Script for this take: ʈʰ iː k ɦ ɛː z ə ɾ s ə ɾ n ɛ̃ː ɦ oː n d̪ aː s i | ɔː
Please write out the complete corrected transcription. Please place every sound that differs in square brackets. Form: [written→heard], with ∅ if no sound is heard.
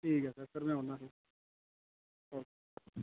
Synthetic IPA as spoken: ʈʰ iː k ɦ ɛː [z→s] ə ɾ s ə ɾ [n→m] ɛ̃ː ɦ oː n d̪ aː s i | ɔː